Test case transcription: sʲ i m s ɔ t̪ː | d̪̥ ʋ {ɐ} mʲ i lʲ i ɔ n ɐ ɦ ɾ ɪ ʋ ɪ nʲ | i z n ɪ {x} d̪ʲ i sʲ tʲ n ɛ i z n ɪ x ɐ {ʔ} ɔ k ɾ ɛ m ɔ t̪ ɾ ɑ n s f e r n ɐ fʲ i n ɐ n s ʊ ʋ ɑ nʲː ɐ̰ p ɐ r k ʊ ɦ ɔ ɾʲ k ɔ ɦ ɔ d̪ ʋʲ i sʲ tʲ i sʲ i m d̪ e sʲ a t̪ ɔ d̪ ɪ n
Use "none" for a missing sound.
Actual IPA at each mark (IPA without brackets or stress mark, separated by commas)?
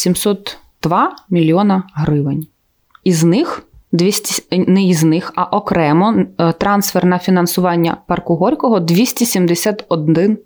ɑ, x, ʔ